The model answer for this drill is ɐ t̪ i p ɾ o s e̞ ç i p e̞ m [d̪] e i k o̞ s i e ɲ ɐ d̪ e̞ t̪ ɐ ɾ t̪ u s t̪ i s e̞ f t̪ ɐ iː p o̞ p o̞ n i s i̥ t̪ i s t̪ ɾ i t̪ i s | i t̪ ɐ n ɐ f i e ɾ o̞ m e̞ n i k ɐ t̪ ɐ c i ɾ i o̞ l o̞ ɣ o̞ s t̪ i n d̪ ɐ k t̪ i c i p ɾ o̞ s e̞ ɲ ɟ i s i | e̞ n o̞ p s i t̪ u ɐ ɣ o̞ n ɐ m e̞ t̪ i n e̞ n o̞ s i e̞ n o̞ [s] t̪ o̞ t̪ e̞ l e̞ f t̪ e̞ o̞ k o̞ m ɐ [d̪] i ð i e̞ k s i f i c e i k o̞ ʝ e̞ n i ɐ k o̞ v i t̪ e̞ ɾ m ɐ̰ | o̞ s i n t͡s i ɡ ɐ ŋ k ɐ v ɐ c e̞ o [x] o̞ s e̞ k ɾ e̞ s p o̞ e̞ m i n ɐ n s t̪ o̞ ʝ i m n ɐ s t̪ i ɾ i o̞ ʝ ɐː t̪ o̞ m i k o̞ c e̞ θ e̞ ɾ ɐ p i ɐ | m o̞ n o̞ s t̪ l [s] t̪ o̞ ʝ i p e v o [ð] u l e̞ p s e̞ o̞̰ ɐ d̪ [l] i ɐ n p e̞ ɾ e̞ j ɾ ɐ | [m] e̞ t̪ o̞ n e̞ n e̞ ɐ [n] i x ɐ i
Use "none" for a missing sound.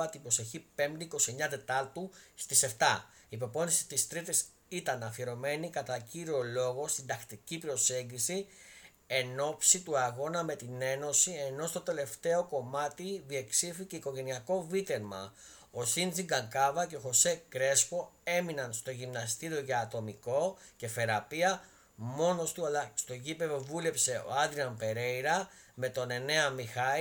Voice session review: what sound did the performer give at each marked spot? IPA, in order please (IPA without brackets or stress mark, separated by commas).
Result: d̪, s, t̪, x, s, v, ɾ, m, m